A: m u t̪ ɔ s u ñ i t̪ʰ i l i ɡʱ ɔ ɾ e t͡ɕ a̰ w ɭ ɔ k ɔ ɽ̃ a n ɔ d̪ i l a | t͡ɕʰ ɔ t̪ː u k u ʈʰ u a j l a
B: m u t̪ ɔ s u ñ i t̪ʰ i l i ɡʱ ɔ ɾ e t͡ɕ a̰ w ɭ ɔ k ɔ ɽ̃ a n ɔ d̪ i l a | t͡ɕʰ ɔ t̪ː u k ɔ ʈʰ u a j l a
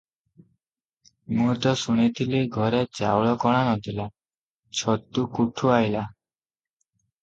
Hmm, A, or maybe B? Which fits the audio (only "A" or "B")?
A